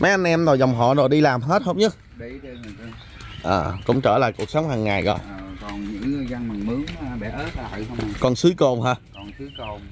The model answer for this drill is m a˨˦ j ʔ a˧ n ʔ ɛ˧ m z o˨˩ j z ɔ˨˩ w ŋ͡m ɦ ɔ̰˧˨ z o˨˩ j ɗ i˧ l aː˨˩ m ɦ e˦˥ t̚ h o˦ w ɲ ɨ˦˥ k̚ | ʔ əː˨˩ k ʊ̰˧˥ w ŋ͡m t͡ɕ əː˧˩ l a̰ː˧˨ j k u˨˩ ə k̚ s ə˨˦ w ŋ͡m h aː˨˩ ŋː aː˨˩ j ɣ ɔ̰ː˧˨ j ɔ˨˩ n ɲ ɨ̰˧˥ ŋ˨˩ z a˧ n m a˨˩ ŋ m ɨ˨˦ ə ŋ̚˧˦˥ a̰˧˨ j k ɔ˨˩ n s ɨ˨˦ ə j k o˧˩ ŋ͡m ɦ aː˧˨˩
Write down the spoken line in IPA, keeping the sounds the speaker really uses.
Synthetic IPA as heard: m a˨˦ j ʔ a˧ n ʔ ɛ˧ m z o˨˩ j z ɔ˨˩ w ŋ͡m ɦ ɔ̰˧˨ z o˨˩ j ɗ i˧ l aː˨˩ m ɦ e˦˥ t̚ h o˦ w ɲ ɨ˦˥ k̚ | ʔ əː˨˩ k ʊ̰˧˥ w ŋ͡m t͡ɕ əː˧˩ l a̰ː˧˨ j k u˨˩ ə k̚ s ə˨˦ w ŋ͡m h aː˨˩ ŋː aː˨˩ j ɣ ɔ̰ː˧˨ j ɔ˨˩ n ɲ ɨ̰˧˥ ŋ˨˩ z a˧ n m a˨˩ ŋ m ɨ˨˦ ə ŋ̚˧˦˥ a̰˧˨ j k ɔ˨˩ n s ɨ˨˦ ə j k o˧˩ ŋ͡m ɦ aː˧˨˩